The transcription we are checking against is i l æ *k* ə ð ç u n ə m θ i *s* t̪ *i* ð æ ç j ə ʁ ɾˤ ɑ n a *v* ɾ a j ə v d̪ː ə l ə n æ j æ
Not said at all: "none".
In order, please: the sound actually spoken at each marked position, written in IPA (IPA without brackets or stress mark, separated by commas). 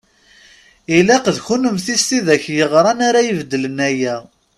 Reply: q, s, i, none